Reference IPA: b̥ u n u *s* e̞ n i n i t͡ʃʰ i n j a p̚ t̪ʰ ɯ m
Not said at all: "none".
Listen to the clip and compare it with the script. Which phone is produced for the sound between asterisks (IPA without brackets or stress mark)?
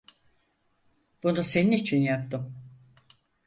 s